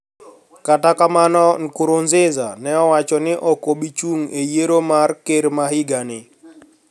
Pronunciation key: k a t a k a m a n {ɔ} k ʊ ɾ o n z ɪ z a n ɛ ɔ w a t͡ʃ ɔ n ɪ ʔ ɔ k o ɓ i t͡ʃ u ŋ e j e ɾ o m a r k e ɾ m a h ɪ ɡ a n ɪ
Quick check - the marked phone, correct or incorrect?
correct